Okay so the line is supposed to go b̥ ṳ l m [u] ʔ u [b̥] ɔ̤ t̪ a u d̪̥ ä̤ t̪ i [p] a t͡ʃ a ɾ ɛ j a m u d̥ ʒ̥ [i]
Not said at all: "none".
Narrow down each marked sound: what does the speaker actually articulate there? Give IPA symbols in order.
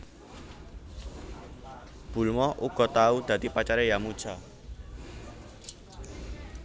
ɔ, ɡ̥, p, a

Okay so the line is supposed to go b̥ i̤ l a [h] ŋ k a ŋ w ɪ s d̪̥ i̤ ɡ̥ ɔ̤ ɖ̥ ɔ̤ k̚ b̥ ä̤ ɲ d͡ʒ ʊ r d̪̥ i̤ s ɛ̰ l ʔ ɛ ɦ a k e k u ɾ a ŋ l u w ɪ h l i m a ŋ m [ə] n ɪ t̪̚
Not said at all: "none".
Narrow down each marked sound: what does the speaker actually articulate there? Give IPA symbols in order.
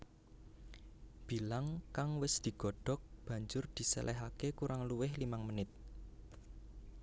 none, ə

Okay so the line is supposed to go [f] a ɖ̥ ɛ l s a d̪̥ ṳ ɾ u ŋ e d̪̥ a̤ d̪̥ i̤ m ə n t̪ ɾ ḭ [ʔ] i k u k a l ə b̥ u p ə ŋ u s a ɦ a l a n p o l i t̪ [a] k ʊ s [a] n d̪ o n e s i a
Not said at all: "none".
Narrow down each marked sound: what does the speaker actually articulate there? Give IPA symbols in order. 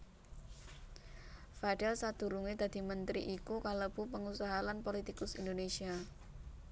f, ʔ, i, i

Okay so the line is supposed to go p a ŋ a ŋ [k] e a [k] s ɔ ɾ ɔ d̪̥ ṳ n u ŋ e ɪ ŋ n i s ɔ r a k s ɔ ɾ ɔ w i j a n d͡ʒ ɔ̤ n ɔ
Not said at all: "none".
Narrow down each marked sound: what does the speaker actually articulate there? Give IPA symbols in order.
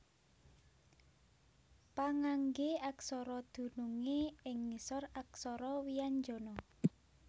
ɡ, k

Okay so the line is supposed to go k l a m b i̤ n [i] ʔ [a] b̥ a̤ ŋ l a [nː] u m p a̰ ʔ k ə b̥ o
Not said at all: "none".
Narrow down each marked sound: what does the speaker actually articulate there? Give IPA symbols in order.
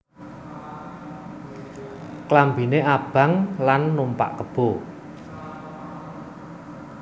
e, a, nː

